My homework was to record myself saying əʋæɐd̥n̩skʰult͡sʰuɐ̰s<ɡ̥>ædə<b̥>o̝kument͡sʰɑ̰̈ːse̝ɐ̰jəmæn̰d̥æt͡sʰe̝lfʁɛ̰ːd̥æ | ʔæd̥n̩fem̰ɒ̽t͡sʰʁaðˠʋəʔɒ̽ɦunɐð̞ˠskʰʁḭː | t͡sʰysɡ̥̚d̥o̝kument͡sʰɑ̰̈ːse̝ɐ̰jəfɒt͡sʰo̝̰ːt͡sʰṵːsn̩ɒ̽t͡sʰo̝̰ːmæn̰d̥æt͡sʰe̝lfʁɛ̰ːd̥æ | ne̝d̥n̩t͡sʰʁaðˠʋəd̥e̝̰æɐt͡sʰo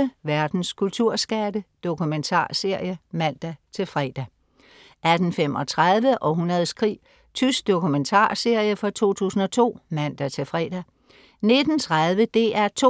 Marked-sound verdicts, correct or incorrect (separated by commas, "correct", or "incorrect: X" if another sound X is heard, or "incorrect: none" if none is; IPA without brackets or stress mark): correct, incorrect: d̥